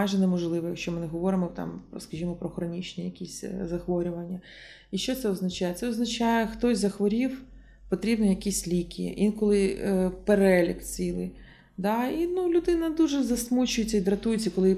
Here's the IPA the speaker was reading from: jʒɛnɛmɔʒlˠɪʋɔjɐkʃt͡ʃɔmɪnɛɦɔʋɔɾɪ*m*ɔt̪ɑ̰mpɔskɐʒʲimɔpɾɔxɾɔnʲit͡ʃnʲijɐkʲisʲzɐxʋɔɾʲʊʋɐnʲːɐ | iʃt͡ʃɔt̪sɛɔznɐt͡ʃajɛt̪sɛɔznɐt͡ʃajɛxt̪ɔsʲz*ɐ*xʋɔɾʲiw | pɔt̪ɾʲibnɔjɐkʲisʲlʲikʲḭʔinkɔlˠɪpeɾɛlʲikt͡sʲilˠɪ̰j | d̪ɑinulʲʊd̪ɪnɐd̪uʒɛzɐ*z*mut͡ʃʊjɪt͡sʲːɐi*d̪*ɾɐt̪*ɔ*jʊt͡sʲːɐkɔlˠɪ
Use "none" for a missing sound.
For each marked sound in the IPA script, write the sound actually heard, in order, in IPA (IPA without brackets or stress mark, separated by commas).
m, ɐ, s, d̪, u